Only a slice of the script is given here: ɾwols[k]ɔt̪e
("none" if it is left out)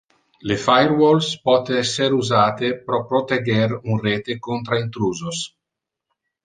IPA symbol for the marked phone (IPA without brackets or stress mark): p